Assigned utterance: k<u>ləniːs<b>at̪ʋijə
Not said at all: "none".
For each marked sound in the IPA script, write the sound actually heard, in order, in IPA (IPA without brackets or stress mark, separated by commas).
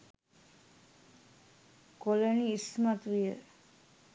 o, m